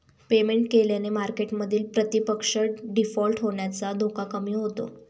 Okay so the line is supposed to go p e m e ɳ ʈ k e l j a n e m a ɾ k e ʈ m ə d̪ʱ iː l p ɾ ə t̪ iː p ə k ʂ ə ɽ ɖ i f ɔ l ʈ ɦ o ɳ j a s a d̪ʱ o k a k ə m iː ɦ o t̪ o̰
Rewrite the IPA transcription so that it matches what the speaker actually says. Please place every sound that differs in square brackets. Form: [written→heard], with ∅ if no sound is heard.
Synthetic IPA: p e m e ɳ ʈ k e l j a n e m a ɾ k e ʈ m ə d̪ʱ iː l p ɾ ə t̪ [iː→i] p ə k ʂ ə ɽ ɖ i f ɔ l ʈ ɦ o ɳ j a [s→t͡s] a d̪ʱ o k a k ə m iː ɦ o t̪ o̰